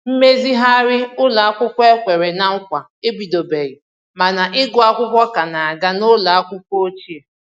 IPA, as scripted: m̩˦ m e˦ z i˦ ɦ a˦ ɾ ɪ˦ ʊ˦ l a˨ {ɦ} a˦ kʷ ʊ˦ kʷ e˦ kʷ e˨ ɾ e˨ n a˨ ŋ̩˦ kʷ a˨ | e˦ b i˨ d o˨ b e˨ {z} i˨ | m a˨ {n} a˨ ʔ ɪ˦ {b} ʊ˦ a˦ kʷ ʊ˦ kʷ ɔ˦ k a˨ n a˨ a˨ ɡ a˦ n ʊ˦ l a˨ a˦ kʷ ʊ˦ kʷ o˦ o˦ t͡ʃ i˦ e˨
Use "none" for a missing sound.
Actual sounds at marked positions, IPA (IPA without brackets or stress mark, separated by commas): none, ɣ, n, ɡ